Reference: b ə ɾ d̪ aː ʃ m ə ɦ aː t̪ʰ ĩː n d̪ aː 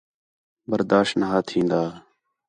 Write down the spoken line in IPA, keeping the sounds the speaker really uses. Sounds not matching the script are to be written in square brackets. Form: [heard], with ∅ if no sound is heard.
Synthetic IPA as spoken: b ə ɾ d̪ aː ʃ [n] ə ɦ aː t̪ʰ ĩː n d̪ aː